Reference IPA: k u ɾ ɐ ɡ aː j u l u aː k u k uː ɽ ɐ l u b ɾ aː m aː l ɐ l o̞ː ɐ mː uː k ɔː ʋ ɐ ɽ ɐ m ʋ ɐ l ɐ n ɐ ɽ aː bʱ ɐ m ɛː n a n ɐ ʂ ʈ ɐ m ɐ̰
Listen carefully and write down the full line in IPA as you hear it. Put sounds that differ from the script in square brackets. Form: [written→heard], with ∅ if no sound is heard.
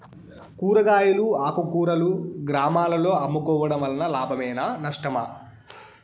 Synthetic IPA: k [u→uː] ɾ ɐ ɡ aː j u l u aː k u k uː [ɽ→ɾ] ɐ l u [b→ɡ] ɾ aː m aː l ɐ l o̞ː ɐ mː [uː→u] k ɔː ʋ ɐ ɽ ɐ m ʋ ɐ l ɐ n ɐ [ɽ→l] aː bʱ ɐ m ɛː n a n ɐ ʂ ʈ ɐ m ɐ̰